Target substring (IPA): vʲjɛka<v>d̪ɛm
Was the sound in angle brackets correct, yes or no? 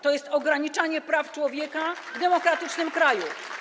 yes